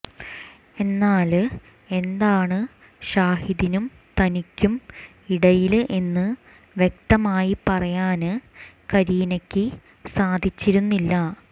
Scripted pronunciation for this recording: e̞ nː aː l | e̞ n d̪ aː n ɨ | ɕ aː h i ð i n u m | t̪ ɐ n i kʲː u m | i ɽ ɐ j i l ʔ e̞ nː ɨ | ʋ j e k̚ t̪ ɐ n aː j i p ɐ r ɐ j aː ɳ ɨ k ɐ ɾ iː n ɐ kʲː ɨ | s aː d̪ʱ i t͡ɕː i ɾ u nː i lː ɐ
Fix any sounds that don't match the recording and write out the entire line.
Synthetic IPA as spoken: e̞ nː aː l | e̞ n d̪ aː ɳ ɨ | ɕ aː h i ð i n u m | t̪ ɐ n i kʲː u m | i ɽ ɐ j i l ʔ e̞ nː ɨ | ʋ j e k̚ t̪ ɐ m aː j i p ɐ r ɐ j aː n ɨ k ɐ ɾ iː n ɐ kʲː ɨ | s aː d̪ʱ i t͡ɕː i ɾ u nː i lː ɐ

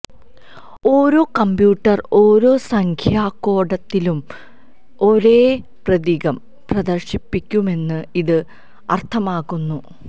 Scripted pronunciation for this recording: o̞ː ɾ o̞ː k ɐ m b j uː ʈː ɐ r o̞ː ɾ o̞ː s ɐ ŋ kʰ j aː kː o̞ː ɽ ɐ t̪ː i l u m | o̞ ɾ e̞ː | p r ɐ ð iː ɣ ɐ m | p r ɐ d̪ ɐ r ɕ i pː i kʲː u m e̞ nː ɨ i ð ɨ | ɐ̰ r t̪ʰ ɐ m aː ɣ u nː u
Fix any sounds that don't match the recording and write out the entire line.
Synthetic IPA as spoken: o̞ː ɾ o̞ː k ɐ m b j uː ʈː ɐ r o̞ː ɾ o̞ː s ɐ ŋ kʰ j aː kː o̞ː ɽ ɐ t̪ː i l u m | o̞ ɾ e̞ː | p r ɐ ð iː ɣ ɐ m | p r ɐ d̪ ɐ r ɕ i pː i kʲː u m e̞ nː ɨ i ð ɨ | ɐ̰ r t̪ʰ ɐ m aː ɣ u nː u

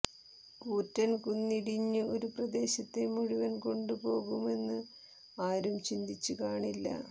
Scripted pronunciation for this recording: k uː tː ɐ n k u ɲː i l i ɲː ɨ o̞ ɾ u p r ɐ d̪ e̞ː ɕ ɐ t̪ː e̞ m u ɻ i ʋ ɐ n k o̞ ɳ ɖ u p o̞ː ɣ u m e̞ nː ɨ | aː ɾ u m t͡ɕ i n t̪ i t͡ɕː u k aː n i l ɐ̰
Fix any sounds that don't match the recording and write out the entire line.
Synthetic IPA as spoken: k uː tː ɐ n k u nː i ɽ i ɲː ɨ o̞ ɾ u p r ɐ d̪ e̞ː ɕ ɐ t̪ː e̞ m u ɻ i ʋ ɐ n k o̞ ɳ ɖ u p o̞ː ɣ u m e̞ nː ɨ | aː ɾ u m t͡ɕ i n d̪ i t͡ɕː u k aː ɳ i lː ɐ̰

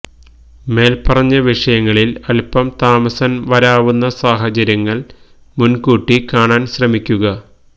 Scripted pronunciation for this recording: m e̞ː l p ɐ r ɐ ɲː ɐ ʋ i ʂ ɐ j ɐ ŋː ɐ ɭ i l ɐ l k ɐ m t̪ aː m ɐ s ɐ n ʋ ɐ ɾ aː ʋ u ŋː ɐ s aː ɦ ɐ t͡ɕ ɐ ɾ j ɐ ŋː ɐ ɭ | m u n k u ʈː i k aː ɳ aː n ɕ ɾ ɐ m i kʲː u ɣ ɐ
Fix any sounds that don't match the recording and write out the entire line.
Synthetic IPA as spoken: m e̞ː l p ɐ r ɐ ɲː ɐ ʋ i ʂ ɐ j ɐ ŋː ɐ ɭ i l ɐ l p ɐ m t̪ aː m ɐ s ɐ n ʋ ɐ ɾ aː ʋ u nː ɐ s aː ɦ ɐ t͡ɕ ɐ ɾ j ɐ ŋː ɐ ɭ | m u n k uː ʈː i k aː ɳ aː n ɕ r ɐ m i kʲː u ɣ ɐ

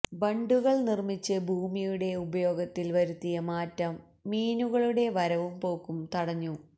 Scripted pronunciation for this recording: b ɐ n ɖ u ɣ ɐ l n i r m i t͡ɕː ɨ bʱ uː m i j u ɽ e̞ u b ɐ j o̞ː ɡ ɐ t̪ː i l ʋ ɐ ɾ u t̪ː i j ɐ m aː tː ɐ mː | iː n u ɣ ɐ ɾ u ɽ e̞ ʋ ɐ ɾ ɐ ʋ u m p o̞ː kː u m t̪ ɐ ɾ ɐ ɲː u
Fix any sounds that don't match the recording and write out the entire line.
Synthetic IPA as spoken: b ɐ ɳ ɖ u ɣ ɐ ɭ n i r m i t͡ɕː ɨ bʱ uː m i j u ɽ e̞ u b ɐ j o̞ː ɡ ɐ t̪ː i l ʋ ɐ ɾ u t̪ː i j ɐ m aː tː ɐ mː | iː n u ɣ ɐ ɭ u ɽ e̞ ʋ ɐ ɾ ɐ ʋ u m p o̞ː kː u m t̪ ɐ ɽ ɐ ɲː u

